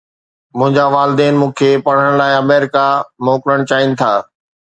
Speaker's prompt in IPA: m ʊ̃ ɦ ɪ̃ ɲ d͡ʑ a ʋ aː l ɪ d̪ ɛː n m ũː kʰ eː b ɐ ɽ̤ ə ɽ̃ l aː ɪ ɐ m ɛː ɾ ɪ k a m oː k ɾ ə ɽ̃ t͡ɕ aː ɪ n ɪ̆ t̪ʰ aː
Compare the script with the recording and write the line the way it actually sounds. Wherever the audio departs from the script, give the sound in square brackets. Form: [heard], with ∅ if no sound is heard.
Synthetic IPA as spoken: m ʊ̃ ɦ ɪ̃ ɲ d͡ʑ a ʋ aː l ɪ d̪ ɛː n m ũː kʰ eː [p] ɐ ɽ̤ ə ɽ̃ l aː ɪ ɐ m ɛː ɾ ɪ k a m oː k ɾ ə ɽ̃ t͡ɕ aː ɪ n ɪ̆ t̪ʰ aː